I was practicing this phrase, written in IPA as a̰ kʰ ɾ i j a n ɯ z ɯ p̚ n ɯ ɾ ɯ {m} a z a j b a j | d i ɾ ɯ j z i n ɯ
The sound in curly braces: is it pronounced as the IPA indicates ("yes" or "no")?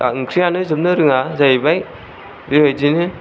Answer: no